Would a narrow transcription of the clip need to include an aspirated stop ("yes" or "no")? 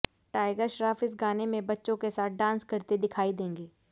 yes